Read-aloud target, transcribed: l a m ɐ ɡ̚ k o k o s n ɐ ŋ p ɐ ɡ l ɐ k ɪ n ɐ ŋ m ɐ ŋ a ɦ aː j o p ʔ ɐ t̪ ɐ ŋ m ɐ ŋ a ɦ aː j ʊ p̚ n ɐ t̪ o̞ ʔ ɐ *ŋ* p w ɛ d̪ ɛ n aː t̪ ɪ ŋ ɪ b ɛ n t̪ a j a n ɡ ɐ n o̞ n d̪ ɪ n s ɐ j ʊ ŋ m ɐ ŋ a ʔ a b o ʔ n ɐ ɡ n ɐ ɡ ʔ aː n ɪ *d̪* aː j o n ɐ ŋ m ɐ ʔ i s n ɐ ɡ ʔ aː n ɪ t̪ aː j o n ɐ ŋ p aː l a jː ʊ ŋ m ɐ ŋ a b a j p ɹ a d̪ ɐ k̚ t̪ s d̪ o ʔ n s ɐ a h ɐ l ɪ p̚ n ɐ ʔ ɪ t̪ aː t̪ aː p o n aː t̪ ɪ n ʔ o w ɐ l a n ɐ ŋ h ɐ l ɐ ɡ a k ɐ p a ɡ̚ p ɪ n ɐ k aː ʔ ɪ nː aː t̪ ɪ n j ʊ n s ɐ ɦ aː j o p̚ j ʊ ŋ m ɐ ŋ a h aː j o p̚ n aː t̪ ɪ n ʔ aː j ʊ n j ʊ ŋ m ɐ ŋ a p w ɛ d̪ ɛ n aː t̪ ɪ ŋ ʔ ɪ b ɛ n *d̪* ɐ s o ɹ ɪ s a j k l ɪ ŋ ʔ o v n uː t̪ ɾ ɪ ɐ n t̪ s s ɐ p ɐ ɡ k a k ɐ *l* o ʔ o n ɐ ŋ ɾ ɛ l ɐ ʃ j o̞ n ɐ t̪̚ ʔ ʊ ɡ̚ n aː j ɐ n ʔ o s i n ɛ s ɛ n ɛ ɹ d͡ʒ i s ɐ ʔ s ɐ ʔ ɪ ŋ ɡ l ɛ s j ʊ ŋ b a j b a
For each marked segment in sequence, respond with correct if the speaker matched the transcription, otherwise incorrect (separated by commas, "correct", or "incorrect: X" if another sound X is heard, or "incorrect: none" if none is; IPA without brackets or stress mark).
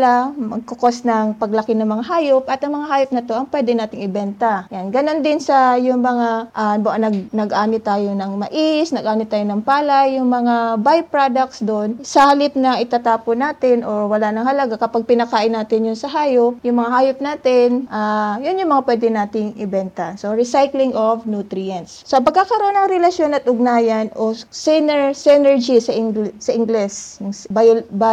correct, incorrect: t̪, incorrect: t̪, incorrect: ɾ